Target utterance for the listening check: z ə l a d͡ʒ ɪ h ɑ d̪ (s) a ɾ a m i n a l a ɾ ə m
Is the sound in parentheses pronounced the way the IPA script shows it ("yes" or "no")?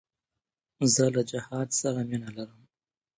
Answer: yes